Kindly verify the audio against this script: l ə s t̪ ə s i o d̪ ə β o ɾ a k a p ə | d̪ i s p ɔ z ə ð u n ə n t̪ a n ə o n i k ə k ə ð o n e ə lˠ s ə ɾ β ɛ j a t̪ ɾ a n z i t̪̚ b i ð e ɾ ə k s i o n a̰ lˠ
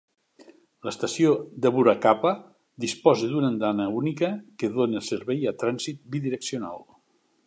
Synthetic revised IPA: l ə s t̪ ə s i o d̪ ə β u ɾ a k a p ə | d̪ i s p ɔ z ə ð u n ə n d̪ a n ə u n i k ə k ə ð o n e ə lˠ s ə ɾ β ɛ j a t̪ ɾ a n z i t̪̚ b i ð i ɾ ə k s i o n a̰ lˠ